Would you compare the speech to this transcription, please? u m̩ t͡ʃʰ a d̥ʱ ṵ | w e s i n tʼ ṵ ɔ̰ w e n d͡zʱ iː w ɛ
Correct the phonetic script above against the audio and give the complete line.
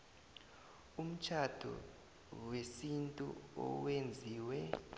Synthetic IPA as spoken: u m̩ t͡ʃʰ a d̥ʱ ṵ | w e s i n tʼ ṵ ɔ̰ w e n d͡zʱ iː w ɛ